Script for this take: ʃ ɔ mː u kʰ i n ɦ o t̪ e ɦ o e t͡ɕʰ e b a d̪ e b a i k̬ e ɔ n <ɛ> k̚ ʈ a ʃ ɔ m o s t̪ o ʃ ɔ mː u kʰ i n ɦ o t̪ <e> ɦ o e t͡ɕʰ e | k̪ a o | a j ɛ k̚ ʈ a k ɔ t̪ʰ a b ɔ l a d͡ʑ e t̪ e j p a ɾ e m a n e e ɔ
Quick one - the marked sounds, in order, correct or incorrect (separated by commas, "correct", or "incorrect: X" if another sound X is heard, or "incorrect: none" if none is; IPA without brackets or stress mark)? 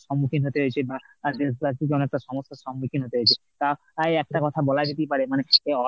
correct, correct